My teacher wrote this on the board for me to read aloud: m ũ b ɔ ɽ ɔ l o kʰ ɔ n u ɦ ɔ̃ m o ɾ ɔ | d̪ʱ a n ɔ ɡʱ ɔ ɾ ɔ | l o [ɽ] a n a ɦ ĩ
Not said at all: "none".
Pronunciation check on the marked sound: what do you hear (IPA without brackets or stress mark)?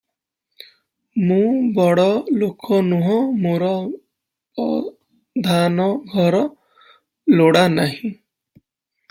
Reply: ɽ